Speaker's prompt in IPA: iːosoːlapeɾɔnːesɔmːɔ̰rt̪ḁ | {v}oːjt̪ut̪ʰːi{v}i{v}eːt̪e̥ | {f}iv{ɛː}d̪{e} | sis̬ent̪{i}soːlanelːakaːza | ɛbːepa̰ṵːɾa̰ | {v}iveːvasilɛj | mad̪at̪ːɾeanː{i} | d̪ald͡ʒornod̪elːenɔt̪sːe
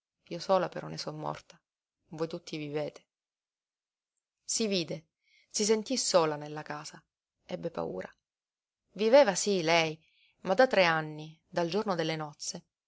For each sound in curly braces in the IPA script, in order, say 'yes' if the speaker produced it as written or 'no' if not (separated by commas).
yes, yes, yes, no, no, yes, yes, yes, yes